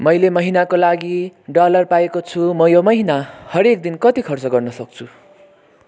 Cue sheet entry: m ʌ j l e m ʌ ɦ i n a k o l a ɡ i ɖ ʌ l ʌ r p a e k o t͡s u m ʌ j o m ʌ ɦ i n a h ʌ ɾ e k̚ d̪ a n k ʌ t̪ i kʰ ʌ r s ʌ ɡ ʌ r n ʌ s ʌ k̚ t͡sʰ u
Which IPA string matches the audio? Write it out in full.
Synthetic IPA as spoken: m ʌ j l e m ʌ ɦ i n a k o l a ɡ i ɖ ʌ l ʌ r p a e k o t͡sʰ u m ʌ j o m ʌ ɦ i n a h ʌ ɾ e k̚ d̪ i n k ʌ t̪ i kʰ ʌ r t͡s ʌ ɡ ʌ r n ʌ s ʌ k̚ t͡sʰ u